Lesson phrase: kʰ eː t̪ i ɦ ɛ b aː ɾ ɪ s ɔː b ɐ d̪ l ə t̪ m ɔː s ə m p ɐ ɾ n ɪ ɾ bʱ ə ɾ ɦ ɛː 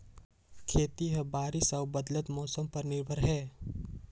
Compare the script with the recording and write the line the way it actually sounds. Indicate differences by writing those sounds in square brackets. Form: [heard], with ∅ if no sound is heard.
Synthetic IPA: kʰ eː t̪ i ɦ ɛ b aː ɾ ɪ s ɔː b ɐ d̪ l ə t̪ m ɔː s ə m p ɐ ɾ n ɪ ɾ bʱ ə ɾ ɦ ɛː